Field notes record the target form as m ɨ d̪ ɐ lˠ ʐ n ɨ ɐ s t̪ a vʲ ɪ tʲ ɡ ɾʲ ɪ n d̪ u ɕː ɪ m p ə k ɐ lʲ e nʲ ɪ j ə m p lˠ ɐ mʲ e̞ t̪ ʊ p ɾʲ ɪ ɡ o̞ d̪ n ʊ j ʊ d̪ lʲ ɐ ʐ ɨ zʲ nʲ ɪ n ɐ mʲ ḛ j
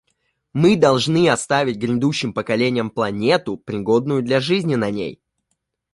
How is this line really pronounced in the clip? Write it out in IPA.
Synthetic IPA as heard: m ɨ d̪ ɐ lˠ ʐ n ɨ ɐ s t̪ a vʲ ɪ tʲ ɡ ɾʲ ɪ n d̪ u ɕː ɪ m p ə k ɐ lʲ e nʲ ɪ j ə m p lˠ ɐ nʲ e̞ t̪ ʊ p ɾʲ ɪ ɡ o̞ d̪ n ʊ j ʊ d̪ lʲ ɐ ʐ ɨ zʲ nʲ ɪ n ɐ nʲ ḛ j